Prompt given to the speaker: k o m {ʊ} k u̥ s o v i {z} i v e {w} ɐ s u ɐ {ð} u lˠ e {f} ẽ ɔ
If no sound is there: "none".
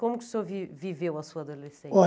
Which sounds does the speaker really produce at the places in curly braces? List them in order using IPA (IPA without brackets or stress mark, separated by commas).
u, v, w, ð, s